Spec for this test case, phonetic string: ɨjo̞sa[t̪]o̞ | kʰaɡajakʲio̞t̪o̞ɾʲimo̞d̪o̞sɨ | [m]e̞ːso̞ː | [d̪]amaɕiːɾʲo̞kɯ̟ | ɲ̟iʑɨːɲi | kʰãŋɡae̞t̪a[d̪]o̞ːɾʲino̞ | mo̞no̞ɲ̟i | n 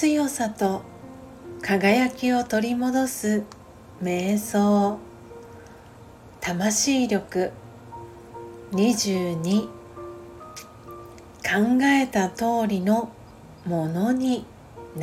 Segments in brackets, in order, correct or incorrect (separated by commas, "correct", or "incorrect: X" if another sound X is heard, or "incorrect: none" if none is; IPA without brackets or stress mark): correct, correct, incorrect: t̪, incorrect: t̪